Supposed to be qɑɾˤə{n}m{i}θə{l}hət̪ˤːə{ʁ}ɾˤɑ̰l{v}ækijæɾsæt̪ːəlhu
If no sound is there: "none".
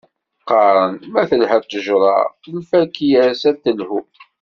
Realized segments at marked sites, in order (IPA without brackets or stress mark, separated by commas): n, æ, l, ʒ, f